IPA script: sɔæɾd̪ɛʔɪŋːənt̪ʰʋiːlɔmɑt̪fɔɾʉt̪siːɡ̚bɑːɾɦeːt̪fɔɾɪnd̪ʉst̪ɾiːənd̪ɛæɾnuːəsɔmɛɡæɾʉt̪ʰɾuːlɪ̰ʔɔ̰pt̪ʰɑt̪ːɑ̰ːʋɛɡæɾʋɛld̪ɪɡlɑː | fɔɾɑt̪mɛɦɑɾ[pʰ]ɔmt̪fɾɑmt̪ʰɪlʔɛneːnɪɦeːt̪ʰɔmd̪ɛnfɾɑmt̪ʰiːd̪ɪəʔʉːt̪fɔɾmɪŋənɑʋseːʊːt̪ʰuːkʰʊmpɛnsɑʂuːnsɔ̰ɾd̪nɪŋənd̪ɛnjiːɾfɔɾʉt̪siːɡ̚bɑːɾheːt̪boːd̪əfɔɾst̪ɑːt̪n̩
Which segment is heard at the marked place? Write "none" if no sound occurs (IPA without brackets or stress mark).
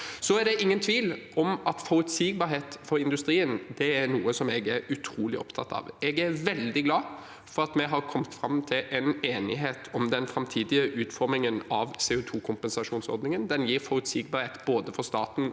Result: kʰ